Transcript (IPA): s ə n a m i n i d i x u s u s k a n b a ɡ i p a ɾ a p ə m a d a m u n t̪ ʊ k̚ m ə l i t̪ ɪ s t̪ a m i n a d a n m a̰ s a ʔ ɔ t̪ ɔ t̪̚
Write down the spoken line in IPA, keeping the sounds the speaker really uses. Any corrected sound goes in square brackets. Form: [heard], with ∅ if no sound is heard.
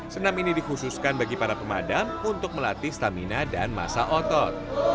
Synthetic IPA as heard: s ə n a m i n i d i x u s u s k a n b a ɡ i p a ɾ a p ə m a d a m u n t̪ ʊ k̚ m ə l [a] t̪ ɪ s t̪ a m i n a d a n m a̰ s a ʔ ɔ t̪ ɔ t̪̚